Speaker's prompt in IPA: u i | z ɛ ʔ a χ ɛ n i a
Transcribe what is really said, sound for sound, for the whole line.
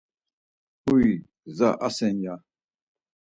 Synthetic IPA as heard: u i | z a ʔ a s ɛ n j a